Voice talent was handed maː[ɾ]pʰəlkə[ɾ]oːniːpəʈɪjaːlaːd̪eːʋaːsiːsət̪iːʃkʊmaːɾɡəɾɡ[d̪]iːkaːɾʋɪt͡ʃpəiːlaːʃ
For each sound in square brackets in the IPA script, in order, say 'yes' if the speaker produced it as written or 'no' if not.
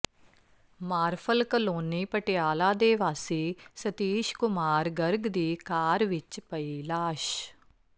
yes, no, yes

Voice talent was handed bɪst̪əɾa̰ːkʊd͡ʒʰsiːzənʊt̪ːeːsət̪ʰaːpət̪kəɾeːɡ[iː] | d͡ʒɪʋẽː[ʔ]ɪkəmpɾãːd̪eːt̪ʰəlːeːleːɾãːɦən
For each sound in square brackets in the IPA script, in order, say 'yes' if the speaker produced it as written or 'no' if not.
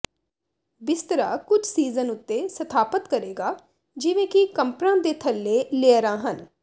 no, no

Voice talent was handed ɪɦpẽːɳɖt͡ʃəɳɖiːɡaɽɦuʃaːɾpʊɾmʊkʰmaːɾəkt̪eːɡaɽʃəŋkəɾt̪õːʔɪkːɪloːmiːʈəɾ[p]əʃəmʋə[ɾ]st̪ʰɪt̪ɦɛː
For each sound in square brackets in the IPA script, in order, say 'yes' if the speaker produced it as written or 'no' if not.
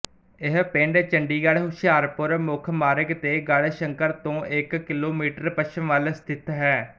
yes, no

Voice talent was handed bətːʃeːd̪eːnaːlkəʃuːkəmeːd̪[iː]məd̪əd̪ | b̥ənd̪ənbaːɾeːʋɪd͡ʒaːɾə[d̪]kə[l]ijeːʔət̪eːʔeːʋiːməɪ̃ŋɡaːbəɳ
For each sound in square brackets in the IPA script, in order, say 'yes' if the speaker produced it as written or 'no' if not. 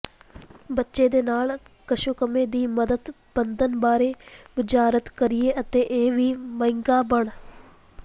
yes, no, no

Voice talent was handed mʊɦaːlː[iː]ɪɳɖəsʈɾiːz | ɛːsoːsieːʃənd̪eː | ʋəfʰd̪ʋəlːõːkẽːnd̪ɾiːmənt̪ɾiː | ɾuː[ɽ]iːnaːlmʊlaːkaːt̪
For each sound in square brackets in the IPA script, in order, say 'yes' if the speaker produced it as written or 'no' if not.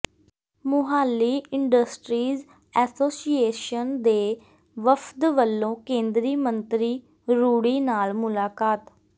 yes, yes

